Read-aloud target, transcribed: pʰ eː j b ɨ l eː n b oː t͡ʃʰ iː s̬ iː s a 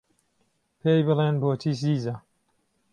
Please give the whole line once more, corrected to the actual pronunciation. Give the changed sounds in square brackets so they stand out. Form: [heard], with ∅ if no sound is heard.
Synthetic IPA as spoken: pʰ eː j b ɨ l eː n b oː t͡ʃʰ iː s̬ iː [z] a